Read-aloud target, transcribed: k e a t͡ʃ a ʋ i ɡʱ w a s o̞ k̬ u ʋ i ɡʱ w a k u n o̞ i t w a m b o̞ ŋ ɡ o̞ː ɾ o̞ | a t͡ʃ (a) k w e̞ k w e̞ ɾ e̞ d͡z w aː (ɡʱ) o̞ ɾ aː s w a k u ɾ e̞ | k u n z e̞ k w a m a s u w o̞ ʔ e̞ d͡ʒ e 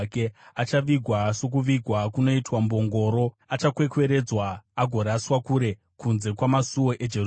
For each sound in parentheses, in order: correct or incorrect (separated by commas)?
correct, correct